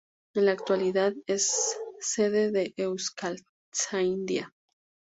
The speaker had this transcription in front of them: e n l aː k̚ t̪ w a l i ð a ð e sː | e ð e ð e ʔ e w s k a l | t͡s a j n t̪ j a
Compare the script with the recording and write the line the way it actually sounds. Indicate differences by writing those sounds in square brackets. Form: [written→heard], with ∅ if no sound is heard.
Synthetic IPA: e n l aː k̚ t̪ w a l i ð a ð e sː | e ð e ð e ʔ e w s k a l | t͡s a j n [t̪→d̪] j a